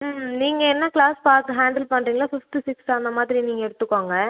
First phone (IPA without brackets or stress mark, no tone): n